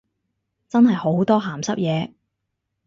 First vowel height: low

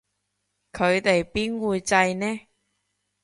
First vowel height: mid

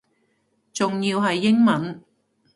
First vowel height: high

